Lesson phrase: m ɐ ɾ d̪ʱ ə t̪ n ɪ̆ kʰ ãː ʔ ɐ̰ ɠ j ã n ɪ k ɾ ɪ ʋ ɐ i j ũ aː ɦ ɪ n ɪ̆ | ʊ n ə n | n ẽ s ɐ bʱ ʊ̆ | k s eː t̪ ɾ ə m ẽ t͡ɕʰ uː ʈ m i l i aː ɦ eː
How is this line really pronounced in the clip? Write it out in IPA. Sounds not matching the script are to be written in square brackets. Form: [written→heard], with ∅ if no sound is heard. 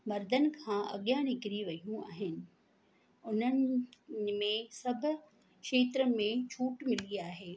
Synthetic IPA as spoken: m ɐ ɾ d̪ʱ ə [t̪→∅] n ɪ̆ kʰ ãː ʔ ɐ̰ ɠ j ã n ɪ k ɾ [ɪ→i] ʋ ɐ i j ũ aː ɦ ɪ n ɪ̆ | ʊ n ə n | [n→m] ẽ s ɐ bʱ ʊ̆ | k [s→ʃ] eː t̪ ɾ ə m ẽ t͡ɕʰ uː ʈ m [i→ɪ] l i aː ɦ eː